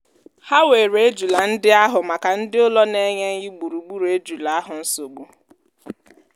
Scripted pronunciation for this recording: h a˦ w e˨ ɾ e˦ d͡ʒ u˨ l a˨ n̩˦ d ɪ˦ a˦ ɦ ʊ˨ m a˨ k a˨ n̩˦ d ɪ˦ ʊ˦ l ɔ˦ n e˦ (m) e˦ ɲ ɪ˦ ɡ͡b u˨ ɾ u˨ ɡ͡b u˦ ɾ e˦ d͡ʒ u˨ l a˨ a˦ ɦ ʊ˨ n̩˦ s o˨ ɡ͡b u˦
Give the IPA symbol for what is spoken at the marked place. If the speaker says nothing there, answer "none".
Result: ɲ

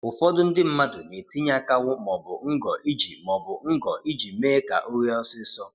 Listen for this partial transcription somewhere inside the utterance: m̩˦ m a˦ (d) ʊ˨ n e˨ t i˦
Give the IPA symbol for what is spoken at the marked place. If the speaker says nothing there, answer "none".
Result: d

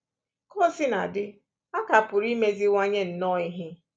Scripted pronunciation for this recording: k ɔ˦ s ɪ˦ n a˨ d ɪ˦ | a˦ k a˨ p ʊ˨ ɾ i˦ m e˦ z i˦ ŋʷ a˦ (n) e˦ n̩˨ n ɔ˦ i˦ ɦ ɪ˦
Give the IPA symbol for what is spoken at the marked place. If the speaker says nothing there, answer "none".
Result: ɲ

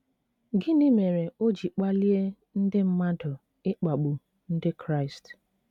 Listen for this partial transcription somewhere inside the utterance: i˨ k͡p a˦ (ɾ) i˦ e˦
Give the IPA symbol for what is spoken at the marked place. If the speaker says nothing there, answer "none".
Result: l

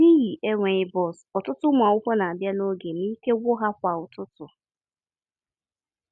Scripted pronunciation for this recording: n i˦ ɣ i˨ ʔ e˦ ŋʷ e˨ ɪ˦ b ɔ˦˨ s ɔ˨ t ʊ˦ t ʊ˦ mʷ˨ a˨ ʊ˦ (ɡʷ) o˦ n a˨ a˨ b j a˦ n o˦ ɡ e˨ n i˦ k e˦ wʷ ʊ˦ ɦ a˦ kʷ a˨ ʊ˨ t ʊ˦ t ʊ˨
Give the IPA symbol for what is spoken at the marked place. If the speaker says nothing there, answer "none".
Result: kʷ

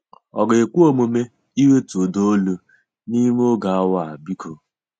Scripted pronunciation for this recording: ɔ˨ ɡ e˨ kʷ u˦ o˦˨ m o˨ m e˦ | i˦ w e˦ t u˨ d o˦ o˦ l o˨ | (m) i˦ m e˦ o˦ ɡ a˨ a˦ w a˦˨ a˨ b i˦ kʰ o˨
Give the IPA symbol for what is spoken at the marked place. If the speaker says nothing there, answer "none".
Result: n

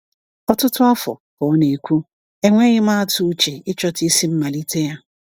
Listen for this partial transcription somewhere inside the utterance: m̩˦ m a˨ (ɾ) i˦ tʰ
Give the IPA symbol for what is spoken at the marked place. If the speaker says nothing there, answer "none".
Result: l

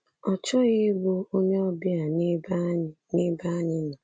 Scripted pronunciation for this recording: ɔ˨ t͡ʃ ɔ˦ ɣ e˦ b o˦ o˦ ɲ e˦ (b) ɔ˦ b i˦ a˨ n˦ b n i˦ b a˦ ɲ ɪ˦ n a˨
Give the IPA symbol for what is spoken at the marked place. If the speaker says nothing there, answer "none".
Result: none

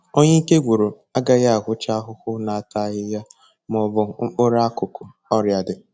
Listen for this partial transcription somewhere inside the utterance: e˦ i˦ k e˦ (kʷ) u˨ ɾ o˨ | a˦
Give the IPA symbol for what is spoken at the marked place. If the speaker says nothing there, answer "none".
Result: ɡʷ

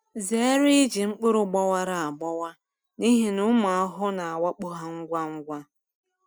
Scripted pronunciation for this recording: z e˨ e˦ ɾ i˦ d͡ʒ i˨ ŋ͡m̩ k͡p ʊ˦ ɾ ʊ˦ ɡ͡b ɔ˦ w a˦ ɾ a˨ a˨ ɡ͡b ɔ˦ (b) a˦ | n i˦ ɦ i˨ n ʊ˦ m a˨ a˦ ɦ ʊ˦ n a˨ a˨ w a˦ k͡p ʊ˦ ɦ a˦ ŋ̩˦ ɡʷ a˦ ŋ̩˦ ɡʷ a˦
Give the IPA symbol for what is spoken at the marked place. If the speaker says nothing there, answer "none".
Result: w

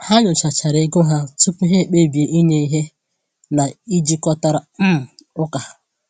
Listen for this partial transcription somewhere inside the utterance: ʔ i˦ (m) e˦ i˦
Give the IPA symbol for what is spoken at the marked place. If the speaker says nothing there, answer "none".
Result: ɲ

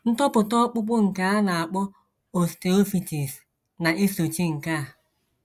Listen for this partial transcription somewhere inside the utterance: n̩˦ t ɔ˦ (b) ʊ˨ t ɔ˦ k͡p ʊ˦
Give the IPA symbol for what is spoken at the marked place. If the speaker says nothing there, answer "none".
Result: p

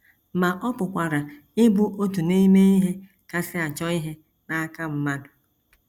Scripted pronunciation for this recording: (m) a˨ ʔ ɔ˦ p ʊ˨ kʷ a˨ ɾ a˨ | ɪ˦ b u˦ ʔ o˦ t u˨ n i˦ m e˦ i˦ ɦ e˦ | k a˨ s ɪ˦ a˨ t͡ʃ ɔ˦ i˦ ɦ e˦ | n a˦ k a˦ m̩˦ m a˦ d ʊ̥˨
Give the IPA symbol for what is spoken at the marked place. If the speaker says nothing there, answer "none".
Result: m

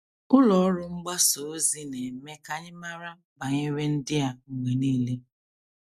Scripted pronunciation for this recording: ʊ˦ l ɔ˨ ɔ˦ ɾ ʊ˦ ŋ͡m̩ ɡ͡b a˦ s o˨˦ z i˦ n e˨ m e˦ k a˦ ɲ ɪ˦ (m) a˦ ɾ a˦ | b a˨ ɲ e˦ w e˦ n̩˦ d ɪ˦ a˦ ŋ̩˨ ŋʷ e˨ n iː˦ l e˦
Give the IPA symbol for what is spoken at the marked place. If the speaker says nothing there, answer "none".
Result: m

